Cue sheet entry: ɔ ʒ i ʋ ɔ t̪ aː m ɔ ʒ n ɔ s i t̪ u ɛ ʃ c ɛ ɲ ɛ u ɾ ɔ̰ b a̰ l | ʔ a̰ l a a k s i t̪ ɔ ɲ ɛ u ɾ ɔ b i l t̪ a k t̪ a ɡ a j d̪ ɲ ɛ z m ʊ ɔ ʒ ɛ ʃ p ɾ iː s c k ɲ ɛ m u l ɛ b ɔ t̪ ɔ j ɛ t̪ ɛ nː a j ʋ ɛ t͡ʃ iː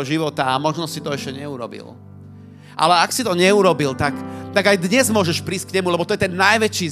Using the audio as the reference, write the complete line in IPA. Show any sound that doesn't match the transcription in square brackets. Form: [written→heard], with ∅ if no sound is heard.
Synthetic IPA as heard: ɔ ʒ i ʋ ɔ t̪ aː m ɔ ʒ n ɔ s i t̪ [u→ɔ] ɛ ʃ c ɛ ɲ ɛ u ɾ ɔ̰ b [a̰→ḭ] l | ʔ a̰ l [a→ɛ] a k s i t̪ ɔ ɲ ɛ u ɾ ɔ b i l t̪ a k t̪ a ɡ a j d̪ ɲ ɛ z m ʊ ɔ ʒ ɛ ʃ p ɾ iː s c k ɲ ɛ m u l ɛ b ɔ t̪ ɔ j ɛ t̪ ɛ nː a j ʋ ɛ t͡ʃ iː